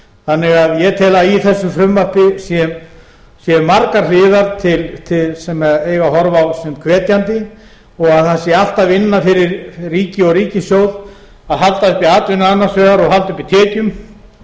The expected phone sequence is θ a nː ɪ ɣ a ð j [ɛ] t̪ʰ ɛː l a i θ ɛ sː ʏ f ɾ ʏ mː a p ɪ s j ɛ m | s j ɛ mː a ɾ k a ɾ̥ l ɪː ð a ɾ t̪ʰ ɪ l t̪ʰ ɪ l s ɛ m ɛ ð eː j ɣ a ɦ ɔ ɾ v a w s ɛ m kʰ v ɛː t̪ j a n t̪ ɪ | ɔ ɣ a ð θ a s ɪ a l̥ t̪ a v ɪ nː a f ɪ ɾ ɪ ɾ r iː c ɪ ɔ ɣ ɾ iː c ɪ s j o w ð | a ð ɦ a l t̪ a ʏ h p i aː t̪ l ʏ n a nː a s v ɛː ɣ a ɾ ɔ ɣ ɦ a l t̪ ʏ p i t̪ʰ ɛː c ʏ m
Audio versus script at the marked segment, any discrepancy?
no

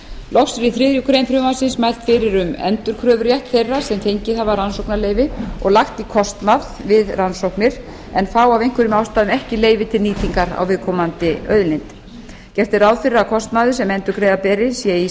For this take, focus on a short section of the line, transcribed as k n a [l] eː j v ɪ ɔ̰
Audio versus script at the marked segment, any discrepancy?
no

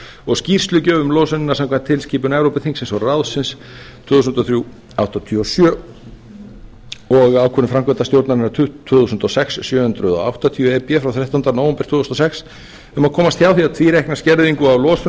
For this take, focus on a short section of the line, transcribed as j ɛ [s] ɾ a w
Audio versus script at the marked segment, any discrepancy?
yes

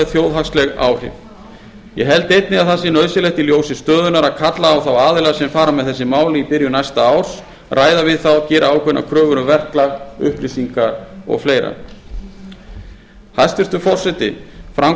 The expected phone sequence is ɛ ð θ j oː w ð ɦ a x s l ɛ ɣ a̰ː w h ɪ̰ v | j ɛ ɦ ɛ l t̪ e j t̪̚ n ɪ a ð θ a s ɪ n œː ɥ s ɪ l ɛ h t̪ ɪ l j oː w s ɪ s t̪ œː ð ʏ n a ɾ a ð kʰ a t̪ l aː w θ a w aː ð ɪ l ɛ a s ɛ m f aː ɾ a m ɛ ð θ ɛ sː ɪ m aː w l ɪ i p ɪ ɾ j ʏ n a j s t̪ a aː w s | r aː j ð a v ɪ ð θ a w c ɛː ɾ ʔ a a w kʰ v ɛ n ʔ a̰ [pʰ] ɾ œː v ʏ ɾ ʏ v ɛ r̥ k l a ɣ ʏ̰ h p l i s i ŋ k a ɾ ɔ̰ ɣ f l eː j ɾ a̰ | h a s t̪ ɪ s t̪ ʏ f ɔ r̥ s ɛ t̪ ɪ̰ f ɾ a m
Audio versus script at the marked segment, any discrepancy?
yes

